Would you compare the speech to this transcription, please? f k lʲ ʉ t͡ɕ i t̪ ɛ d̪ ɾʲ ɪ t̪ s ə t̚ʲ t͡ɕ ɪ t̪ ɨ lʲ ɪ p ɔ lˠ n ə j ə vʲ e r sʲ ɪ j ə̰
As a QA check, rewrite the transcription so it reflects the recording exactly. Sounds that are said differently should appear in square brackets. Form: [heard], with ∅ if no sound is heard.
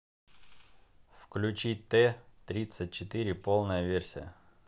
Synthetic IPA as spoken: f k lʲ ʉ t͡ɕ i t̪ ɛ [t̪] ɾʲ [i] t̪ s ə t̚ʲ t͡ɕ ɪ t̪ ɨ [ɾʲ] ɪ p [o] lˠ n ə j ə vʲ e r sʲ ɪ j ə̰